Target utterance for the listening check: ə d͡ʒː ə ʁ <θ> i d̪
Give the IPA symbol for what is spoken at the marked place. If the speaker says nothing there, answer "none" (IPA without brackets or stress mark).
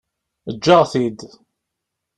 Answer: θ